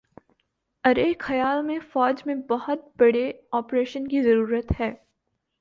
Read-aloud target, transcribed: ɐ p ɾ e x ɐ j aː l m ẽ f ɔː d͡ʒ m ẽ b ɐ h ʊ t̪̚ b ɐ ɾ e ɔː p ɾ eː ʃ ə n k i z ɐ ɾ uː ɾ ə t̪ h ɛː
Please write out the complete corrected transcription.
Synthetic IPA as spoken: ɐ ɾ e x ɐ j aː l m ẽ f ɔː d͡ʒ m ẽ b ɐ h ʊ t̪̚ b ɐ ɽ e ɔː p ɾ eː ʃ ə n k i z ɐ ɾ uː ɾ ə t̪ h ɛː